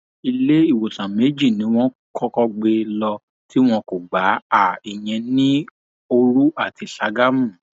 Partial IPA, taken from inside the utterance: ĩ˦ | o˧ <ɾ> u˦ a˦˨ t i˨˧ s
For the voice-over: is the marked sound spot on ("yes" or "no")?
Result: yes